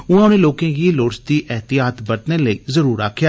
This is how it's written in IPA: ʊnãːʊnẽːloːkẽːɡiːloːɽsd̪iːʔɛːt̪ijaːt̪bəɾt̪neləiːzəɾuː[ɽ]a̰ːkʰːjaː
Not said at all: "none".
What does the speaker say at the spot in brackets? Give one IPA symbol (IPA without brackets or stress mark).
ɾ